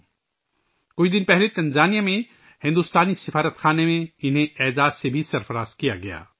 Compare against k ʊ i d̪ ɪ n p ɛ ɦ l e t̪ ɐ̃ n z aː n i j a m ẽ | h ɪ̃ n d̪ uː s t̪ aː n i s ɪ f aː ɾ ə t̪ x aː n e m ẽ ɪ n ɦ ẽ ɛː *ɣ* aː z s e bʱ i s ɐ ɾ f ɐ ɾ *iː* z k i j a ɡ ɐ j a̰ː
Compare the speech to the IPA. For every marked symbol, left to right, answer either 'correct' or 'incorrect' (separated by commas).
incorrect, incorrect